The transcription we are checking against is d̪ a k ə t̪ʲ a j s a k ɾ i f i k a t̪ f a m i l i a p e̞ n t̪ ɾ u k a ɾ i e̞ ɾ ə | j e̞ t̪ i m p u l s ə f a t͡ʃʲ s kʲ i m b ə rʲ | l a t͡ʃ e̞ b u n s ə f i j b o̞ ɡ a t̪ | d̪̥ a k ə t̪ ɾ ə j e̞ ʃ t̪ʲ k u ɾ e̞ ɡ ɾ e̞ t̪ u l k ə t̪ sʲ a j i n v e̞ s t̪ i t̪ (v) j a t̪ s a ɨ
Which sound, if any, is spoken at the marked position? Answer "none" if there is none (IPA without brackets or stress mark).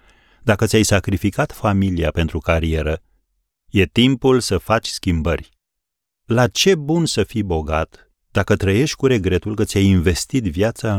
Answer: v